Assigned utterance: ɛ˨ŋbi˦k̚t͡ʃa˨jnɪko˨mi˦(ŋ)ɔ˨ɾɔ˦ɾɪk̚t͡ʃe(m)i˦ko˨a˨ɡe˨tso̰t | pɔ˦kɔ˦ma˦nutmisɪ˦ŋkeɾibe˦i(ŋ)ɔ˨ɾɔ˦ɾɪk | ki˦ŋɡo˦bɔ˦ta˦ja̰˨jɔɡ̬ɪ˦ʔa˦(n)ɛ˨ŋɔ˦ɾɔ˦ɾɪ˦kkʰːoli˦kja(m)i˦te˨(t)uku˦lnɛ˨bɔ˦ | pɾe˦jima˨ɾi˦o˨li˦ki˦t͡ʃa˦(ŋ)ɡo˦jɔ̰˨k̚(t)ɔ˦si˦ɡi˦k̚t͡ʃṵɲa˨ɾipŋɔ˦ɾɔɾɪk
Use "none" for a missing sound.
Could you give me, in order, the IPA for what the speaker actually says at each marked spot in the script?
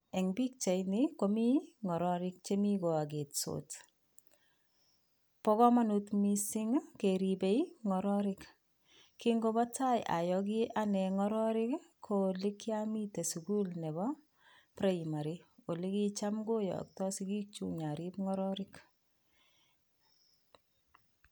ŋ, m, ŋ, n, m, s, m, t

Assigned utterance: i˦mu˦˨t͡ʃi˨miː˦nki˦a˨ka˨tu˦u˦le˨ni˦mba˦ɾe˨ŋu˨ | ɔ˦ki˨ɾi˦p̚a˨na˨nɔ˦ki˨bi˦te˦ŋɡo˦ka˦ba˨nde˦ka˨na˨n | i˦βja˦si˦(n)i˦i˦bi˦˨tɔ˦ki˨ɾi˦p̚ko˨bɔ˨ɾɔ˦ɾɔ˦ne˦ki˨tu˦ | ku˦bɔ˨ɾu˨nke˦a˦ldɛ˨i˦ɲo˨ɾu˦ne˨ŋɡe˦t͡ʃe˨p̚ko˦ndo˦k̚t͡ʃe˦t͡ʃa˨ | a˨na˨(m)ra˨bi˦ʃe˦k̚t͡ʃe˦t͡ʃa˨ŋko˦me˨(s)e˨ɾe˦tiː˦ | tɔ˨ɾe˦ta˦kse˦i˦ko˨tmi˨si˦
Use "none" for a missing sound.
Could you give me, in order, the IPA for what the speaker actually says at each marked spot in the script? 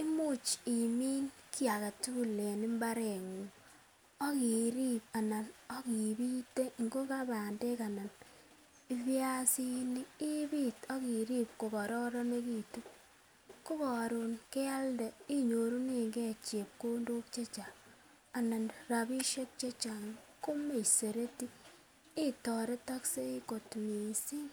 n, n, s

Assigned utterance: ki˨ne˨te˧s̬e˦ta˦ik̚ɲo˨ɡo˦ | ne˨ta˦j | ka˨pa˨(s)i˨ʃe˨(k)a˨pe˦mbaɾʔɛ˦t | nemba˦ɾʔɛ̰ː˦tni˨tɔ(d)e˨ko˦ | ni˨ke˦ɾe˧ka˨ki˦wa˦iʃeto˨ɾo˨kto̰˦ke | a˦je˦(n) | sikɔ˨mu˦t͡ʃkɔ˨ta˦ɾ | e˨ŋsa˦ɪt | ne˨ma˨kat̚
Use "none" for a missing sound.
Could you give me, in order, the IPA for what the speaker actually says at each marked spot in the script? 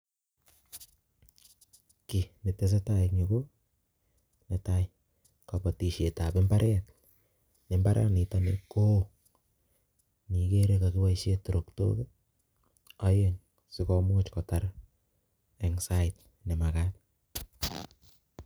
t, t, n, ŋ

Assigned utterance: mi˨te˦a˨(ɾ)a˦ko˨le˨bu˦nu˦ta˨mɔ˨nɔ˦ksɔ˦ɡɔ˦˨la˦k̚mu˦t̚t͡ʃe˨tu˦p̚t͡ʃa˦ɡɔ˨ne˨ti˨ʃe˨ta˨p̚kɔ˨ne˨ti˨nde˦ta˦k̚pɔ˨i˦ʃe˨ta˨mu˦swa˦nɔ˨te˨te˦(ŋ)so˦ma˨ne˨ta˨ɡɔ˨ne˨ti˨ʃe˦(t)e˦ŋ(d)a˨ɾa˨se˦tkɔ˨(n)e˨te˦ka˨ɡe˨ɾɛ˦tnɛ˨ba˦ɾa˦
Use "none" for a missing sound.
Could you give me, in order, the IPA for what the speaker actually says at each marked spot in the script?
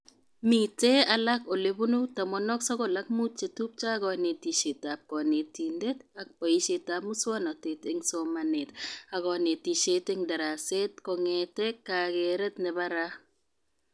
l, ŋ, t, d, ŋ

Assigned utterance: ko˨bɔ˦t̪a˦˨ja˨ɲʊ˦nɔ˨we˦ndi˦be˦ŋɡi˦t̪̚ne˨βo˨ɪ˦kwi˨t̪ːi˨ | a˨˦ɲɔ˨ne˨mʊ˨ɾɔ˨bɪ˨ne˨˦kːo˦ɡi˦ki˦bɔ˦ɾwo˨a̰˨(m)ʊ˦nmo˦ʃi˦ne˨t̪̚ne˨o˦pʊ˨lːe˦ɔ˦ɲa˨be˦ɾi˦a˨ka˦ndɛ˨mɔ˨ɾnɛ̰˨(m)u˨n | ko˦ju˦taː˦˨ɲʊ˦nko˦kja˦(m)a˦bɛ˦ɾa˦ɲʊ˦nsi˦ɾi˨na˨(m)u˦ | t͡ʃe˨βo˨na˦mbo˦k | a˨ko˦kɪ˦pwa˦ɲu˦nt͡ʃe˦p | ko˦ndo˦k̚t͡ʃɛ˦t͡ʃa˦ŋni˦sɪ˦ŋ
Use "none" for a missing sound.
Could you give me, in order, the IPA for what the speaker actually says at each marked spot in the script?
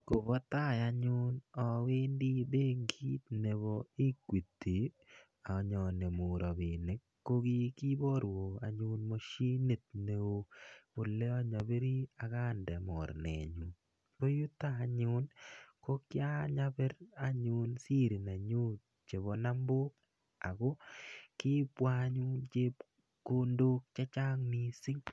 ɲ, ɲ, ɲ, ɲ

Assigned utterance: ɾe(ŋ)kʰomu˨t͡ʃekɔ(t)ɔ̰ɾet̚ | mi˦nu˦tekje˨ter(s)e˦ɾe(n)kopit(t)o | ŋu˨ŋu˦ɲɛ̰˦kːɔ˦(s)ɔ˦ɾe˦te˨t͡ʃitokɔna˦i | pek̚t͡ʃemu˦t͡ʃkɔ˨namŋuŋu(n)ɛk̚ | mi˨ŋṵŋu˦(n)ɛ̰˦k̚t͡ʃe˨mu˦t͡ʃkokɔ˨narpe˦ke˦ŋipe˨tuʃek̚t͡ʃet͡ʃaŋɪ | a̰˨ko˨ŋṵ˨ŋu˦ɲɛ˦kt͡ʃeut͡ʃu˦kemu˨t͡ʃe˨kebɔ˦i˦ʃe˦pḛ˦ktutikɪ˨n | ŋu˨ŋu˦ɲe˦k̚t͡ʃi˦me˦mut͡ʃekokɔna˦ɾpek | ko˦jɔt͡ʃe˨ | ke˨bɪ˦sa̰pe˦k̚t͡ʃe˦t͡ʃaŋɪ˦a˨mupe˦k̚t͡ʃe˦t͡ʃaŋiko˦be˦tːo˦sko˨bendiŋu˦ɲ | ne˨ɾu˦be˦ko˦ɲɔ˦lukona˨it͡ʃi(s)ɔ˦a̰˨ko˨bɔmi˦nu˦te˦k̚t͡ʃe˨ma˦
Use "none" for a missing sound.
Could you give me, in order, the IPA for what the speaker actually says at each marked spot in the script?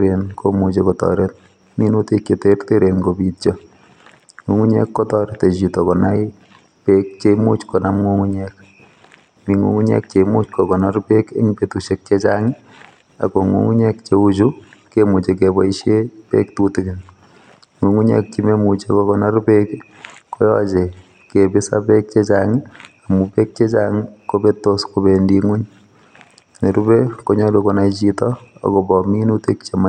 n, t, t, n, t͡ʃ, t, ɲ, ɲ, t

